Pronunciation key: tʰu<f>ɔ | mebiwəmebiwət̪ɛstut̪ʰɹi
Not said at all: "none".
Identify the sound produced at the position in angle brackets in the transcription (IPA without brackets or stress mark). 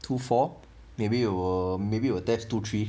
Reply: f